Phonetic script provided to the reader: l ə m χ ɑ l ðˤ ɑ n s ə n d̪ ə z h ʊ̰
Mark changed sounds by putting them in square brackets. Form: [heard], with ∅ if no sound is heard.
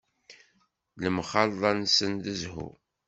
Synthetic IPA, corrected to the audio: l ə m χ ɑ l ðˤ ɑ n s ə n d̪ ə z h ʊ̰